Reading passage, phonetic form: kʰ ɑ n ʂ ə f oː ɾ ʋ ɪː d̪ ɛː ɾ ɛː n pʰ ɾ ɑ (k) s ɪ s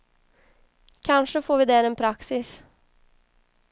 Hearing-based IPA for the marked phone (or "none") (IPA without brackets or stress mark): k